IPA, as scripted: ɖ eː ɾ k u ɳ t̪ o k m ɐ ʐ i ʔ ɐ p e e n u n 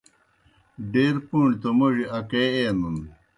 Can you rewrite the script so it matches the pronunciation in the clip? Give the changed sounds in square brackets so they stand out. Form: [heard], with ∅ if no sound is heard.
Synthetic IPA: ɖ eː ɾ [p] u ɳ t̪ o [∅] m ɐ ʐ i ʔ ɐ [k] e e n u n

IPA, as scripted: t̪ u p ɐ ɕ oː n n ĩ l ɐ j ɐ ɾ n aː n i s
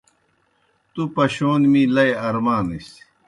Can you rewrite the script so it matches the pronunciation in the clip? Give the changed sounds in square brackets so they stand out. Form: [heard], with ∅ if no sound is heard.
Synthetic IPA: t̪ u p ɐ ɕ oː n [m] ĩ l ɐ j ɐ ɾ [m] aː n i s

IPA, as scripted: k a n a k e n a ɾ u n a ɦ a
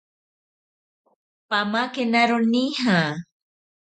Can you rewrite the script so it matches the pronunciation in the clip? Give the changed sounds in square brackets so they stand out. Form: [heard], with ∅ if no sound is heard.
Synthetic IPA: [p] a [m] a k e n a ɾ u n [i] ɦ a

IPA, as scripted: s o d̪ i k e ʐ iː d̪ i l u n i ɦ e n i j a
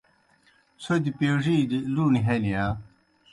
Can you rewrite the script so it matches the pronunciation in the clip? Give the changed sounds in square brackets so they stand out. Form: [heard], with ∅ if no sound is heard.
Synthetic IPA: s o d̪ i [p] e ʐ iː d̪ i l u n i ɦ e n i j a

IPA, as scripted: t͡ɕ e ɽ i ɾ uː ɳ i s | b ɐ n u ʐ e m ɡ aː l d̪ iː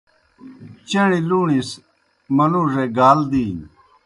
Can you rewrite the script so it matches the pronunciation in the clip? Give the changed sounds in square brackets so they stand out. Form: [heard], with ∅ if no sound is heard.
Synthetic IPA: t͡ɕ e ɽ i [l] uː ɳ i s | [m] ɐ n u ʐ e [∅] ɡ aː l d̪ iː

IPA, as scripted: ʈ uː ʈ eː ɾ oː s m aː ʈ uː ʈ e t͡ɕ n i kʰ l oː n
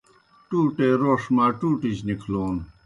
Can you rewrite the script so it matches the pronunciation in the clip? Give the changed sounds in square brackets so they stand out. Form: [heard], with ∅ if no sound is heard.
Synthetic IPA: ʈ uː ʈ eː ɾ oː [ʂ] m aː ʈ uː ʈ [i] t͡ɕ n i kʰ l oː n

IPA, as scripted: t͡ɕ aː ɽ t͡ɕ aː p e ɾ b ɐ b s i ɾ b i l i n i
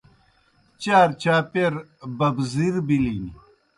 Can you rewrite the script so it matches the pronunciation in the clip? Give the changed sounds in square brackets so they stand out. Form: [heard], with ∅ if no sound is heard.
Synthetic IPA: t͡ɕ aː [ɾ] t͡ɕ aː p e ɾ b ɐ b [z] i ɾ b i l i n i

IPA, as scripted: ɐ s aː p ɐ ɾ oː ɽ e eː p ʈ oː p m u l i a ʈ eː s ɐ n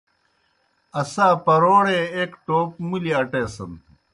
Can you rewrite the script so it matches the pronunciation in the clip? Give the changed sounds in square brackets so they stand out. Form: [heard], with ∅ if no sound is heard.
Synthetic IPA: ɐ s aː p ɐ ɾ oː ɽ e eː [k] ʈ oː p m u l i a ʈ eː s ɐ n

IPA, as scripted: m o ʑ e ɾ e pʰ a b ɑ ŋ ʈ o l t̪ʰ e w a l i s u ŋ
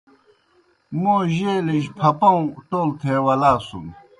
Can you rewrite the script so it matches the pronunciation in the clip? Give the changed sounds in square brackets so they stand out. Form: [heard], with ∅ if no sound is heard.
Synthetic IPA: m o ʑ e [l] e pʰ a [p] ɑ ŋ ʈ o l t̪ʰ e w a l [a] s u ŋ

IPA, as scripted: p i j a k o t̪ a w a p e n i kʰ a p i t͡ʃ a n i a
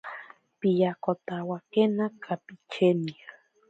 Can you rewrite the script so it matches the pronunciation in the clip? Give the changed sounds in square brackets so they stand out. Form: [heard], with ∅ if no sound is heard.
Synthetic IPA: p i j a k o t̪ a w a [k] e n [a] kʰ a p i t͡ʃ [e] n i a

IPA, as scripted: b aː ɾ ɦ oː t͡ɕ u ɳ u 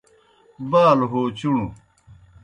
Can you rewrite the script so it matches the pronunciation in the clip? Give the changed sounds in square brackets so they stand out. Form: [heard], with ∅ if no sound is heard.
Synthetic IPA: b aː [l] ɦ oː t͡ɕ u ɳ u

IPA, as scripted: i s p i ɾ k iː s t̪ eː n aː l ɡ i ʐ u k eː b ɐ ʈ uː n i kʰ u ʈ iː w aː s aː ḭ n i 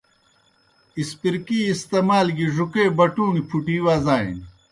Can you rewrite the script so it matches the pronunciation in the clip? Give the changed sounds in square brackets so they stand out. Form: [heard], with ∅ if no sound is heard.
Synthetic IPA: i s p i ɾ k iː s t̪ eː [m] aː l ɡ i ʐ u k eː b ɐ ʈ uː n i [pʰ] u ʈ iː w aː [z] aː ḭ n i

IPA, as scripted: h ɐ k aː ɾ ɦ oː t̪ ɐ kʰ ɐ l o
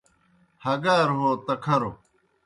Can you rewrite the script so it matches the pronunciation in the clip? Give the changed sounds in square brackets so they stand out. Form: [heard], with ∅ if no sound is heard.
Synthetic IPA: h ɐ [ɡ] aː ɾ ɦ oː t̪ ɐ kʰ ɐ [ɾ] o

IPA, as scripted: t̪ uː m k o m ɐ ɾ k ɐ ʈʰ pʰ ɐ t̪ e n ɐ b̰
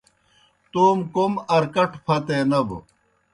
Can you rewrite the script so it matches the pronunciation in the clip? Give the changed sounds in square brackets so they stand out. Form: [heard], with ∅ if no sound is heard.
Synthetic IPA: t̪ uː m k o m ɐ ɾ k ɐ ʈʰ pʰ ɐ t̪ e n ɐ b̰

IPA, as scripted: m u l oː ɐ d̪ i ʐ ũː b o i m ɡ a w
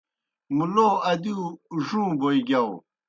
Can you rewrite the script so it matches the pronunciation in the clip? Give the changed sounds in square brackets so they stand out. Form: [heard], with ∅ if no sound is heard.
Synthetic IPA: m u l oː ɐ d̪ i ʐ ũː b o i [∅] ɡ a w

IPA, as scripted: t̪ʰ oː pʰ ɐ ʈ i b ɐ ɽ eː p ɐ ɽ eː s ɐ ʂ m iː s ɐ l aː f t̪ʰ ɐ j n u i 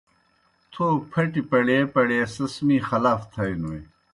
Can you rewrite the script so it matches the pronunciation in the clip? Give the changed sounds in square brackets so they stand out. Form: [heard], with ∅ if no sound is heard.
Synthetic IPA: t̪ʰ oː pʰ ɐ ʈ i [p] ɐ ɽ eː p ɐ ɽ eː s ɐ [s] m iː [x] ɐ l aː f t̪ʰ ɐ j n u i

